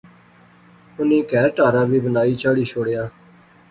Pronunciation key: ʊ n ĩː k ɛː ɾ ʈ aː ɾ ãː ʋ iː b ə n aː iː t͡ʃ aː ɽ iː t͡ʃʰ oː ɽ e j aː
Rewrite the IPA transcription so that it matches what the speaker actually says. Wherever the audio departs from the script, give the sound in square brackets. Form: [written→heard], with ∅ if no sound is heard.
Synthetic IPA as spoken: ʊ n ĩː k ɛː ɾ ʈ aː ɾ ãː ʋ iː b ə n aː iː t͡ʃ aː ɽ iː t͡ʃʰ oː ɽ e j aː